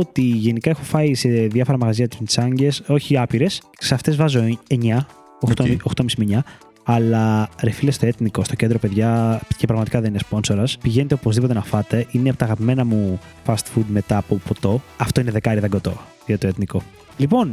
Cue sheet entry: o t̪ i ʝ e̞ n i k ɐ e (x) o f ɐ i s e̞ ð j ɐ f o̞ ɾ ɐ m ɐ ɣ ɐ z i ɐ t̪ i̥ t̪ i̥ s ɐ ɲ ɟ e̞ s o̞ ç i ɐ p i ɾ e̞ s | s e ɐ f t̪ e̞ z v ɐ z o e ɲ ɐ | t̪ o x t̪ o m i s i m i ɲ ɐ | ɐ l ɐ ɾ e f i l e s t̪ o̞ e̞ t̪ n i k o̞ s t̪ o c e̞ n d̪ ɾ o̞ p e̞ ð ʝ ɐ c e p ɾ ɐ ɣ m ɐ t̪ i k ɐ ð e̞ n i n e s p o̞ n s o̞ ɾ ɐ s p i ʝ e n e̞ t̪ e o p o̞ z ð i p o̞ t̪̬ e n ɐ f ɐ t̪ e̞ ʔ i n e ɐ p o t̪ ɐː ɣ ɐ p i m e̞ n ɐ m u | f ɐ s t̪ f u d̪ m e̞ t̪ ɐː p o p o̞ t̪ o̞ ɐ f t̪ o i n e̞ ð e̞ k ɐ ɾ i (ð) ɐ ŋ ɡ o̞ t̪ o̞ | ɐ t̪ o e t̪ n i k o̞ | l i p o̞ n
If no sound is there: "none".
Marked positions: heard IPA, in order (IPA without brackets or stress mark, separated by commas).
x, ð